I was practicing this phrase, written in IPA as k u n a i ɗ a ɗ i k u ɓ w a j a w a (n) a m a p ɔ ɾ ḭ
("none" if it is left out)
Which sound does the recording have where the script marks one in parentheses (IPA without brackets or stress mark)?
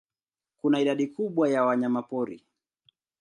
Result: ɲ